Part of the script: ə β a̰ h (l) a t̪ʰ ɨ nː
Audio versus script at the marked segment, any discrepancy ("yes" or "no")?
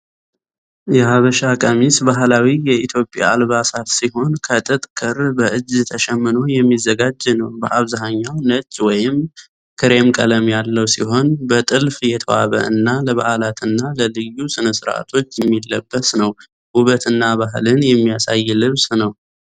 no